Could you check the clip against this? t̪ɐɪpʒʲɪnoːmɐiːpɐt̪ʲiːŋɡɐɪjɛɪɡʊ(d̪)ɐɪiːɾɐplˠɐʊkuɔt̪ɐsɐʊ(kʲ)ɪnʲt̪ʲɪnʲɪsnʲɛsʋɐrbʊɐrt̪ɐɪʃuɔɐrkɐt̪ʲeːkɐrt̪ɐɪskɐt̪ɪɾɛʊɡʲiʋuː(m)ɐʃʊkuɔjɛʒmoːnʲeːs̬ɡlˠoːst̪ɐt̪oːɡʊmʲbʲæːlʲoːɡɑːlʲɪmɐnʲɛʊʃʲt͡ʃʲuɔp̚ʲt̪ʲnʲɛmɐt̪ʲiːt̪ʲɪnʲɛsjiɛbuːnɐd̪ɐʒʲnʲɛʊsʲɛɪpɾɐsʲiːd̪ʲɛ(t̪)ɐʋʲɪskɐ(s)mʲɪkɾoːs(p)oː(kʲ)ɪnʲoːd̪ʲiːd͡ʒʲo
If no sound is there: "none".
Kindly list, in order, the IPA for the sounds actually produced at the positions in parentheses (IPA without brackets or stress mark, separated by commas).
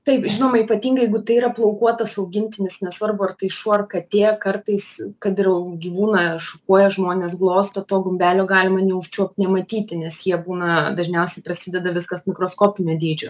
t̪, ɡʲ, n, d̪, s, k, pʲ